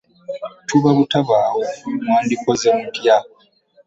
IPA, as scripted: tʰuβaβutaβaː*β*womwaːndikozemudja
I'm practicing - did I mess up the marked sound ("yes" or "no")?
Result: yes